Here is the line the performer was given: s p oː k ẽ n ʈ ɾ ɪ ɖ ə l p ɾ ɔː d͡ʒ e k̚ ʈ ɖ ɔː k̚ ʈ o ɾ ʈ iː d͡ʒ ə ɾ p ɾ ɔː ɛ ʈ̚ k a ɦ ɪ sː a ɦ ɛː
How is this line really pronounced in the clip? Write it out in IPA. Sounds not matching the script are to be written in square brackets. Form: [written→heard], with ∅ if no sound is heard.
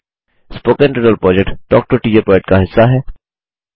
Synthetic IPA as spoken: s p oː k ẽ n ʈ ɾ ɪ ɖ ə l p ɾ ɔː d͡ʒ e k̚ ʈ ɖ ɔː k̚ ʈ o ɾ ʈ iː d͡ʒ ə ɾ p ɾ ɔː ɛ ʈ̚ k a ɦ ɪ sː a ɦ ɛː

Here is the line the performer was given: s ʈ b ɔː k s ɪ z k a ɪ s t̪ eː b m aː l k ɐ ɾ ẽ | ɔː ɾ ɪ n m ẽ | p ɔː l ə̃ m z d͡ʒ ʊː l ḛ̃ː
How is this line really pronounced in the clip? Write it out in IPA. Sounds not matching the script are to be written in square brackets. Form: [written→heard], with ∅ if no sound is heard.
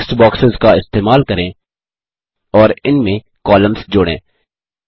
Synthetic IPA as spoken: s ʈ b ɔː k s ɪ z k a ɪ s t̪ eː [b→∅] m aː l k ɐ ɾ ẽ | ɔː ɾ ɪ n m ẽ | [p→k] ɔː l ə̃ m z d͡ʒ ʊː [l→ɽ] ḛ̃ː

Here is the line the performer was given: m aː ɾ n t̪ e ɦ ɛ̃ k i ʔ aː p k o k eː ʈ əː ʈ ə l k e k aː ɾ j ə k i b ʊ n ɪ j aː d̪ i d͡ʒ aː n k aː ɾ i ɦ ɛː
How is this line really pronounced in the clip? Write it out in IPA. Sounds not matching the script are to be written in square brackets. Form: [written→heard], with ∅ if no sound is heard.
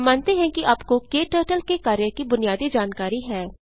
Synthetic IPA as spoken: m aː [ɾ→∅] n t̪ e ɦ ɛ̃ k i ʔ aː p k o k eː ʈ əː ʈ ə l k e k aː ɾ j ə k i b ʊ n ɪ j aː d̪ i d͡ʒ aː n k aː ɾ i ɦ ɛː

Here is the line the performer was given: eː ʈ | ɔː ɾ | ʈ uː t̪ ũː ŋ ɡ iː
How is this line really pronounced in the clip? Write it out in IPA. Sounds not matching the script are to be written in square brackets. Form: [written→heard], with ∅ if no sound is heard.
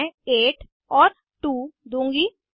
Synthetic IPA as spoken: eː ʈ | ɔː ɾ | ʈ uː [t̪→d̪] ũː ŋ ɡ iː

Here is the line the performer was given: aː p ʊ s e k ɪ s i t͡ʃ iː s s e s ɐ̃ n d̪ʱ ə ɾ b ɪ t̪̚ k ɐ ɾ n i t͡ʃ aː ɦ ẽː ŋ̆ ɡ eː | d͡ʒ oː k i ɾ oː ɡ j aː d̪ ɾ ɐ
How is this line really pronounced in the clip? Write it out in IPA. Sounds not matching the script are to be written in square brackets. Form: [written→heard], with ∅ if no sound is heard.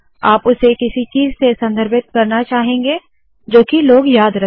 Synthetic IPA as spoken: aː p ʊ s e k ɪ s i t͡ʃ iː [s→z] s e s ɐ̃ n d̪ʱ ə ɾ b ɪ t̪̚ k ɐ ɾ n [i→a] t͡ʃ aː ɦ ẽː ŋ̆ ɡ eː | d͡ʒ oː k i [ɾ→l] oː ɡ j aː d̪ ɾ ɐ

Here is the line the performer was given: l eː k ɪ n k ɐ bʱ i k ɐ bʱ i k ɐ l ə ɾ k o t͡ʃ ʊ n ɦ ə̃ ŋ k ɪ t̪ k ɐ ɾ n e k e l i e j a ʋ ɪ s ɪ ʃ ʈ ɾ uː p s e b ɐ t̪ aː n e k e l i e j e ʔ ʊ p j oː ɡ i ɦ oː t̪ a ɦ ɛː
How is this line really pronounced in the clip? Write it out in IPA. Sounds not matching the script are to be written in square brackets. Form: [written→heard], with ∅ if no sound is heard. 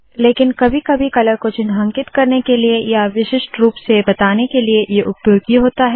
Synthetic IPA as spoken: l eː k ɪ n k ɐ bʱ i k ɐ bʱ i k ɐ l ə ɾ k o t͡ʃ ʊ n ɦ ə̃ ŋ k ɪ t̪ k ɐ ɾ n e k e l i e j a ʋ ɪ [s→ʃ] ɪ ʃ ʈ ɾ uː p s e b ɐ t̪ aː n e k e l i e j e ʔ ʊ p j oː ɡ i ɦ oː t̪ a ɦ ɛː

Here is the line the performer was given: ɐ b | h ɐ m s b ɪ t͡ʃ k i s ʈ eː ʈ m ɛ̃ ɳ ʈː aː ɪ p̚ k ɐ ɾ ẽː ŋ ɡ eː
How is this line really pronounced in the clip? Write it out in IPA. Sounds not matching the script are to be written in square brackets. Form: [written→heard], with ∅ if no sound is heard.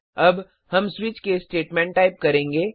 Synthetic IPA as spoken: ɐ b | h ɐ m s [b→w] ɪ t͡ʃ k [i→e] s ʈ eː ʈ m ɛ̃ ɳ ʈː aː ɪ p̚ k ɐ ɾ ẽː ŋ ɡ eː

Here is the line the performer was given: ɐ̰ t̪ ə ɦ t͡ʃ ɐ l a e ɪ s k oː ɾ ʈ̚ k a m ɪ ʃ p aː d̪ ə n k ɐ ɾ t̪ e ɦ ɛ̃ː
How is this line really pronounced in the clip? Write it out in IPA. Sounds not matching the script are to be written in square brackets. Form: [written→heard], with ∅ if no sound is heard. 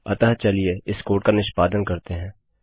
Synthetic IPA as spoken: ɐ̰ t̪ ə ɦ t͡ʃ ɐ l [a→i] e ɪ s k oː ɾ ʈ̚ k a [m→n] ɪ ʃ p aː d̪ ə n k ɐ ɾ t̪ e ɦ ɛ̃ː

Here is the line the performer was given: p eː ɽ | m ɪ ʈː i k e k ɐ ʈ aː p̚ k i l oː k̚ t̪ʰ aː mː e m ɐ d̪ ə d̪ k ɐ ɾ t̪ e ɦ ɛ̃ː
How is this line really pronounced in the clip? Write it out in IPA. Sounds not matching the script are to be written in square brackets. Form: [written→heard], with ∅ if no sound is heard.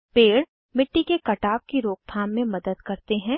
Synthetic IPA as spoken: p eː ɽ | m ɪ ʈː i k e k ɐ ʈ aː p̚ k i [l→ɾ] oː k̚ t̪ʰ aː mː [e→ẽ] m ɐ d̪ ə d̪ k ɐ ɾ t̪ e ɦ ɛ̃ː

